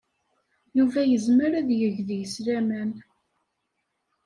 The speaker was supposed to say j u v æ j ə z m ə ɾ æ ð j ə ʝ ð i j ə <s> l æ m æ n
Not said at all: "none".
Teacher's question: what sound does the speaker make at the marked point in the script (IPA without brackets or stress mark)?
s